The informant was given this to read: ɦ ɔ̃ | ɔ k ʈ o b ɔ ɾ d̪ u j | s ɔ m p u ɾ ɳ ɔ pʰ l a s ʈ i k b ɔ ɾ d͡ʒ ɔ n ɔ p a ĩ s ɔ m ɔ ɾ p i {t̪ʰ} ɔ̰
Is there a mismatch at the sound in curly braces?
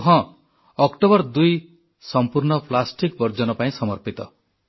yes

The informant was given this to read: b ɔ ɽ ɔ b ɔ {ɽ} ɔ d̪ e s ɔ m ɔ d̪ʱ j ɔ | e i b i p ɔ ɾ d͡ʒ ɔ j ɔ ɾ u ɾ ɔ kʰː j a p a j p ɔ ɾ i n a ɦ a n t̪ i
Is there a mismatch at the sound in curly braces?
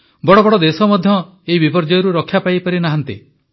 no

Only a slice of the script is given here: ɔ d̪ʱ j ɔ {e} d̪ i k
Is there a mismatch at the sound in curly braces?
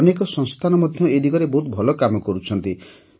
no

